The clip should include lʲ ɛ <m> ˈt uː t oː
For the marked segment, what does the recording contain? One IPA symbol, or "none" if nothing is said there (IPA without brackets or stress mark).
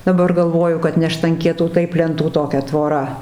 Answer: n